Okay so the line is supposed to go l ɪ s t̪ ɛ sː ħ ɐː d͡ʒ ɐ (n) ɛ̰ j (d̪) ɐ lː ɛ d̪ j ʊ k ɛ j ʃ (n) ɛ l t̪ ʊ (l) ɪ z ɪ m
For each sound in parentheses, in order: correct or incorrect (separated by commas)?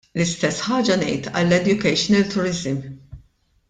correct, incorrect, correct, incorrect